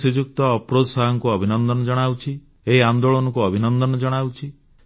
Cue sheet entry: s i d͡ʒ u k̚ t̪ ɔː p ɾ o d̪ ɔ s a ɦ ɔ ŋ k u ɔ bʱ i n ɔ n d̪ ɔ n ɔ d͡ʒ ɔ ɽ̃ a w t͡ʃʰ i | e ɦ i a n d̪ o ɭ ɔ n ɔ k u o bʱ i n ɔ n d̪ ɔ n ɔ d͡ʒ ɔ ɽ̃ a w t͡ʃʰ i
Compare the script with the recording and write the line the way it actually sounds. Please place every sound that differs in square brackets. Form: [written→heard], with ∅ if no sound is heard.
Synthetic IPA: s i d͡ʒ u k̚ t̪ ɔː p ɾ o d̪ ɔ s a ɦ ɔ ŋ k u ɔ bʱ i n ɔ n d̪ ɔ n ɔ d͡ʒ ɔ ɽ̃ a w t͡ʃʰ i | e ɦ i a n d̪ o ɭ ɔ n ɔ k u [o→ɔ] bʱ i n ɔ n d̪ ɔ n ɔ d͡ʒ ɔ ɽ̃ a w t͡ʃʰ i